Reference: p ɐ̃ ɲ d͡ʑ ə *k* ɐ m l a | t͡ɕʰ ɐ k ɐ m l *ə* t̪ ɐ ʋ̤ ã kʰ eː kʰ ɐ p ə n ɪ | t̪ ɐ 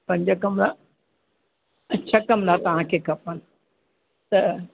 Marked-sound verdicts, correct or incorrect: correct, incorrect: a

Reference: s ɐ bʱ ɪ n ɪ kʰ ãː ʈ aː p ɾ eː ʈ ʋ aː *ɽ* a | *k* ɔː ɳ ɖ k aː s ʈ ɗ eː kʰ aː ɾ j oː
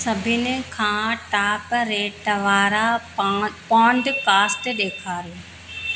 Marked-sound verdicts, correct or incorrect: incorrect: ɾ, incorrect: p

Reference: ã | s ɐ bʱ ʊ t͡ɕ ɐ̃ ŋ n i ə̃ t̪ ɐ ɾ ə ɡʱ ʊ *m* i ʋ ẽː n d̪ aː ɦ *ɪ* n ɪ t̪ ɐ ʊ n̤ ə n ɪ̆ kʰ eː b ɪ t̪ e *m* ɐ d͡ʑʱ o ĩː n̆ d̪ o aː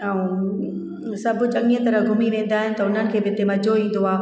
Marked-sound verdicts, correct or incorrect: correct, correct, correct

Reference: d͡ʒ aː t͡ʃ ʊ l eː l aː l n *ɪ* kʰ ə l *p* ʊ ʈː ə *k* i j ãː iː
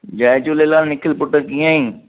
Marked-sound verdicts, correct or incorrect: correct, correct, correct

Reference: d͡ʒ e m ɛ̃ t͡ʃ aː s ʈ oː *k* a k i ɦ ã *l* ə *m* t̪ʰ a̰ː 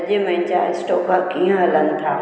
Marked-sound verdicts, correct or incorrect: correct, correct, incorrect: n

